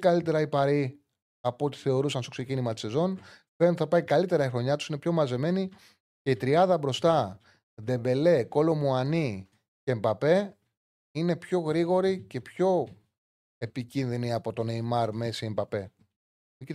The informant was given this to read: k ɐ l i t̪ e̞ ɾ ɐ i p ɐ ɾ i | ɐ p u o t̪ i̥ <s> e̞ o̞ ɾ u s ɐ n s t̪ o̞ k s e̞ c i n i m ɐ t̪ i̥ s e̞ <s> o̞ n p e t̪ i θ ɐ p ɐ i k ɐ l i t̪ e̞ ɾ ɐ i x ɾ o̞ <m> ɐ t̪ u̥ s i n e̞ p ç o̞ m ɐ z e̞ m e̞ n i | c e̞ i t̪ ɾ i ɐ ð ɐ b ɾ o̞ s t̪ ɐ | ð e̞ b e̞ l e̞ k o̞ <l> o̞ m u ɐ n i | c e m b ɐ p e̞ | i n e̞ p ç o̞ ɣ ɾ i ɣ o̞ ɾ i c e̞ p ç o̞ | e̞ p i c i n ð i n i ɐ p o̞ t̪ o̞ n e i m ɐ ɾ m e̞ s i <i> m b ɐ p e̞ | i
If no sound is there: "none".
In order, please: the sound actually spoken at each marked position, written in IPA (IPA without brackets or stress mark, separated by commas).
θ, z, ɲ, l, e